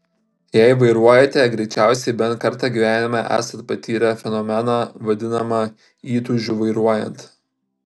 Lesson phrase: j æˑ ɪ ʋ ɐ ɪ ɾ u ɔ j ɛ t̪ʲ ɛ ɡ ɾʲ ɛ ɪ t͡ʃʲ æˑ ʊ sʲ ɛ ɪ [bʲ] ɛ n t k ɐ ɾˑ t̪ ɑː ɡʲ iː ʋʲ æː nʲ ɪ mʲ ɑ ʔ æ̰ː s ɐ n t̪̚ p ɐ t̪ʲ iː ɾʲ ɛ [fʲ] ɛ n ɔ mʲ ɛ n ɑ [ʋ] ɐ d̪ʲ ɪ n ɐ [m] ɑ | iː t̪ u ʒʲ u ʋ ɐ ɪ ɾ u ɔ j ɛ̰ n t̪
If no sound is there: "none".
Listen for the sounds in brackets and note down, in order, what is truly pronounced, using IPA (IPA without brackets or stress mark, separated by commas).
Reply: bʲ, fʲ, ʋ, m